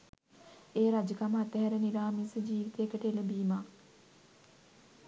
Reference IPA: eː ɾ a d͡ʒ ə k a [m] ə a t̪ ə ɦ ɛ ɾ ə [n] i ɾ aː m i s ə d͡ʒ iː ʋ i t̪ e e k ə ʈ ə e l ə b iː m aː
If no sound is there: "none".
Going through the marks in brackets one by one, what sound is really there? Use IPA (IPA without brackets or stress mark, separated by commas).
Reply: m, n